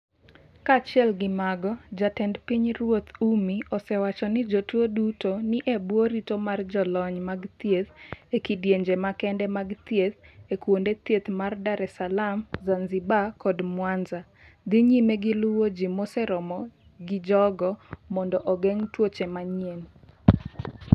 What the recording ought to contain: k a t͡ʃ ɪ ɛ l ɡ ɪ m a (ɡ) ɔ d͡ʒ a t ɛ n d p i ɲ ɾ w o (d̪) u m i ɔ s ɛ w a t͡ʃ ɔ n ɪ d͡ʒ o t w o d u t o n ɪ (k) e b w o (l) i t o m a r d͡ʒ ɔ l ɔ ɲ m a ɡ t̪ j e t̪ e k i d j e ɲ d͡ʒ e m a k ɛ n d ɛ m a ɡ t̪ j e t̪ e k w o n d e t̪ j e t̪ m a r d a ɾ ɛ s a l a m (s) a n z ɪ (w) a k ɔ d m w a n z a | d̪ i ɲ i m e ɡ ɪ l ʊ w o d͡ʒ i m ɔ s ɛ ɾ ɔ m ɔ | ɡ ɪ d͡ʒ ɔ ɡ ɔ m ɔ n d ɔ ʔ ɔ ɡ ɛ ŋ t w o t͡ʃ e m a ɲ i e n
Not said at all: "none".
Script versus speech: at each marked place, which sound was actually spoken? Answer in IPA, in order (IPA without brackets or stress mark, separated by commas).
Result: ɡ, t̪, ʔ, ɾ, z, b